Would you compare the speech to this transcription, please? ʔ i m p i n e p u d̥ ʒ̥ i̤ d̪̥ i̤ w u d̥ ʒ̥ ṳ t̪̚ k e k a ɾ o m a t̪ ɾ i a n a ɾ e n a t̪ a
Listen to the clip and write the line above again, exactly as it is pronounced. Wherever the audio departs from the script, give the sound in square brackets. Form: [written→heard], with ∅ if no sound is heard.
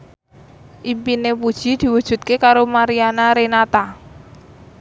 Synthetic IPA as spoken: ʔ i m p i n e p u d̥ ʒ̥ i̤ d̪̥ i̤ w u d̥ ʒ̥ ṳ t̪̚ k e k a ɾ o m a [t̪→∅] ɾ i a n a ɾ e n a t̪ a